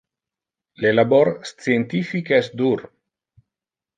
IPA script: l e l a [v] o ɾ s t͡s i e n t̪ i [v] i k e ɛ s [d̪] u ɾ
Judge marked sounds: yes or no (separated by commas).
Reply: no, no, yes